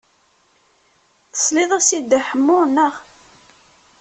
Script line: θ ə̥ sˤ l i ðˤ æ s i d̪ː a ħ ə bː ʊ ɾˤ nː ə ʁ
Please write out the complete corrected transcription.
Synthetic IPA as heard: θ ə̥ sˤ l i ðˤ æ s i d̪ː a ħ ə mː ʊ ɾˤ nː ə ʁ